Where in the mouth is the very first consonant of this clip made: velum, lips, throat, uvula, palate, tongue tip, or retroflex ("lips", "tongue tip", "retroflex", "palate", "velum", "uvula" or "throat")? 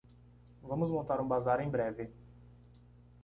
lips